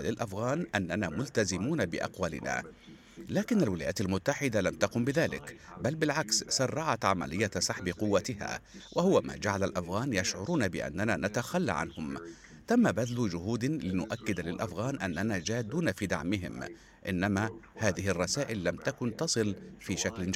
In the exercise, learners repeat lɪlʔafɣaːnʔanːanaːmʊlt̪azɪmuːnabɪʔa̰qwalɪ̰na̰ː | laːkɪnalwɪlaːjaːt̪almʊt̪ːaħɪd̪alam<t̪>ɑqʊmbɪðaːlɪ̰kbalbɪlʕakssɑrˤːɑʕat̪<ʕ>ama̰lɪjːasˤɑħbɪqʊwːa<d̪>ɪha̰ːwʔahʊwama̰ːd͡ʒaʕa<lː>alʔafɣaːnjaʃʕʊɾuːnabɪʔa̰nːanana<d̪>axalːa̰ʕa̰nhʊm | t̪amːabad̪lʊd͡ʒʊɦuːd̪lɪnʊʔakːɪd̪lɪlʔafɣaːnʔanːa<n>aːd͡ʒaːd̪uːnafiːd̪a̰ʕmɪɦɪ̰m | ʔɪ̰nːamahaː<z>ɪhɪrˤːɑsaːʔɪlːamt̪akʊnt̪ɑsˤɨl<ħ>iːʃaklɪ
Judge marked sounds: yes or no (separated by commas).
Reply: yes, yes, no, no, no, yes, no, no